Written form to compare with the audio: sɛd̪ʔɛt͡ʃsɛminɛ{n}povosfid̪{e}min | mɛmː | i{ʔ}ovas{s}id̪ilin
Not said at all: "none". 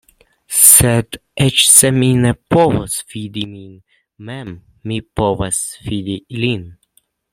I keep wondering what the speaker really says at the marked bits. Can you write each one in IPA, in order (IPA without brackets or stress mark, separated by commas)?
none, i, p, f